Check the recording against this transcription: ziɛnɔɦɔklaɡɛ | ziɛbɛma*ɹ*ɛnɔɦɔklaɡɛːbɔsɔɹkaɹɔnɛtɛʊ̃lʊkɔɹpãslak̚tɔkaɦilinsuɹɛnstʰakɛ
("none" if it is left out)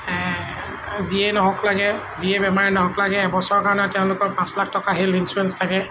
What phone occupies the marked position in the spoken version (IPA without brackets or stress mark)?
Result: ɹ